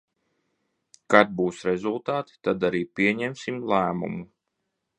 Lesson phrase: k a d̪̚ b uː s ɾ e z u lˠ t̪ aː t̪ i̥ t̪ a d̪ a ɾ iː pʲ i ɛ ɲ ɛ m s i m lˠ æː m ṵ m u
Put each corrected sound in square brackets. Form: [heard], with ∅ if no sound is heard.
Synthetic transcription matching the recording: k a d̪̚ b uː s ɾ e z u lˠ t̪ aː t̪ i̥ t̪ a d̪ a ɾ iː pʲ i ɛ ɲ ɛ m s i m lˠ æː m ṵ m u